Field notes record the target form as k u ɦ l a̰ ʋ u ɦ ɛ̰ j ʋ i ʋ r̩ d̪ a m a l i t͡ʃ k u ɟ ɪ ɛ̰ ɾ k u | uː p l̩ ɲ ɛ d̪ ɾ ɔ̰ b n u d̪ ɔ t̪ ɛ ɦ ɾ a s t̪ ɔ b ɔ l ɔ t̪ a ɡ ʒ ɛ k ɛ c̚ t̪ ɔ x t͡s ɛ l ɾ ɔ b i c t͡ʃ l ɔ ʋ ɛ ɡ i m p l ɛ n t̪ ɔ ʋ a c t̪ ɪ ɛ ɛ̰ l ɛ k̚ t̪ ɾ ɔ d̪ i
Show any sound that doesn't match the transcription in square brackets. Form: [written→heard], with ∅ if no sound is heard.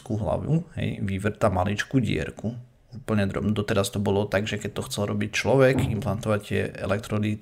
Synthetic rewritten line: k u ɦ l a̰ ʋ u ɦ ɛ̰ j ʋ i ʋ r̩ [d̪→t̪] a m a l i t͡ʃ k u ɟ ɪ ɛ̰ ɾ k u | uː p l̩ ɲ ɛ d̪ ɾ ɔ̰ b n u d̪ ɔ t̪ ɛ [ɦ→∅] ɾ a s t̪ ɔ b ɔ l ɔ t̪ a ɡ ʒ ɛ k ɛ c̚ t̪ ɔ x t͡s ɛ l ɾ ɔ b i c t͡ʃ l ɔ ʋ ɛ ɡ i m p l [ɛ→a] n t̪ ɔ ʋ a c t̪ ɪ ɛ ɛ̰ l ɛ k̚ t̪ ɾ ɔ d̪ i